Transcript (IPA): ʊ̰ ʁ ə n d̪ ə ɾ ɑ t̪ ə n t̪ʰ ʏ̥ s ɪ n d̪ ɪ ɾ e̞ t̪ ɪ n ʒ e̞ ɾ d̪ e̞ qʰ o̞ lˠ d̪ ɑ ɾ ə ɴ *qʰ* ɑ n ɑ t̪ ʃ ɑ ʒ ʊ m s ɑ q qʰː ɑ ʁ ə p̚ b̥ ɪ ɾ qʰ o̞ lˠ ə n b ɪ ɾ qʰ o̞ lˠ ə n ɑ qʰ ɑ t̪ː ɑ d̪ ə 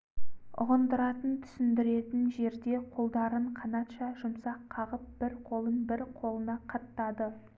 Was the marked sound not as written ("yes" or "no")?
no